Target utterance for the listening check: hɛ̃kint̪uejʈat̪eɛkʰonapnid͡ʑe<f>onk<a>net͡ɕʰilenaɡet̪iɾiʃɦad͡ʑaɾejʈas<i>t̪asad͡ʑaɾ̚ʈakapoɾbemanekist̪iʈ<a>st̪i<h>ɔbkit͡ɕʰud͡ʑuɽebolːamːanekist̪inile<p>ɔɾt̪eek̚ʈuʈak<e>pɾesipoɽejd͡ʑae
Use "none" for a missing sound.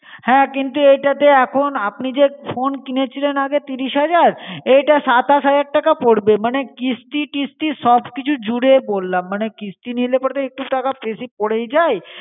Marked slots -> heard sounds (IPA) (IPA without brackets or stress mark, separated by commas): f, i, a, i, ʃ, p, a